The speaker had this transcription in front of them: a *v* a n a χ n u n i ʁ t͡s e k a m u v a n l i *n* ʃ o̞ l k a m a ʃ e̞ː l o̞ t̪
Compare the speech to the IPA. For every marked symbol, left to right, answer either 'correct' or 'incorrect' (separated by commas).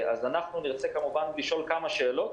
incorrect, incorrect